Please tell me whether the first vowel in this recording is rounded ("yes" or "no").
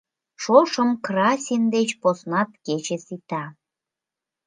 yes